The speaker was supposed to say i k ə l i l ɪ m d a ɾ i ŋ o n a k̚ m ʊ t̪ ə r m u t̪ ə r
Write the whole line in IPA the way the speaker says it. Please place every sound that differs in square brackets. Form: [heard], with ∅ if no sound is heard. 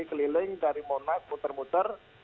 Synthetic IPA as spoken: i k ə l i l ɪ [ŋ] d a ɾ i [m] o n a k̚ m [u] t̪ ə r m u t̪ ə r